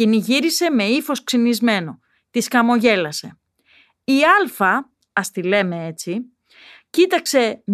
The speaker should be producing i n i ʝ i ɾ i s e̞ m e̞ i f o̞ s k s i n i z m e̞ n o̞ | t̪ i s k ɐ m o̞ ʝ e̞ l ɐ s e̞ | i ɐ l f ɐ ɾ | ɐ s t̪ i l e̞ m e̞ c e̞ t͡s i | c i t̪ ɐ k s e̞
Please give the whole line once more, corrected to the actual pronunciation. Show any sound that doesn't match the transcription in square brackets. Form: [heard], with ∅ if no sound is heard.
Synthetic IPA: i n i ʝ i ɾ i s e̞ m e̞ i f o̞ s k s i n i z m e̞ n o̞ | t̪ i s k ɐ m o̞ ʝ e̞ l ɐ s e̞ | i ɐ l f ɐ [∅] | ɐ s t̪ i l e̞ m e̞ [∅] e̞ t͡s i | c i t̪ ɐ k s e̞